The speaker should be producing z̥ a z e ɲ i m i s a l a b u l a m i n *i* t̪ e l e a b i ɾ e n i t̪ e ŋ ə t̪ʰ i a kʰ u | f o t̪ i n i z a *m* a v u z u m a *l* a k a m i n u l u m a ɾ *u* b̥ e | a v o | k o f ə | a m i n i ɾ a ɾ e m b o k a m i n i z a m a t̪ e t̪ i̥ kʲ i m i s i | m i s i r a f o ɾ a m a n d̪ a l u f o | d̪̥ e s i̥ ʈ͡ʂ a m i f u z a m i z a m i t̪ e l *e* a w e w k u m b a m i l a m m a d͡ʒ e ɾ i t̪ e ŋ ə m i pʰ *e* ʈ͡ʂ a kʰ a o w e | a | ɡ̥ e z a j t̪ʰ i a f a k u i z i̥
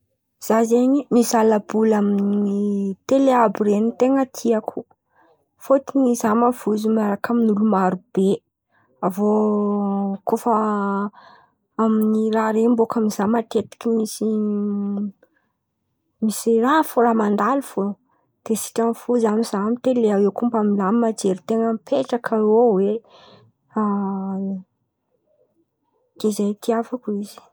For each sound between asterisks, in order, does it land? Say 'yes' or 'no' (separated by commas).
yes, yes, no, yes, yes, yes